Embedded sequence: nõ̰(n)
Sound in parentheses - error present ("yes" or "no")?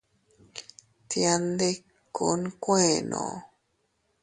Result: yes